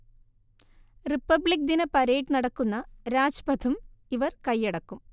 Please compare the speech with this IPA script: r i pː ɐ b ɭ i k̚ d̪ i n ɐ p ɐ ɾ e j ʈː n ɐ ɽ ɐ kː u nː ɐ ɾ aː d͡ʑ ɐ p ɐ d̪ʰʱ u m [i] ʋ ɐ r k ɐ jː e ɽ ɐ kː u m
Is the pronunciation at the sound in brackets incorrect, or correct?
correct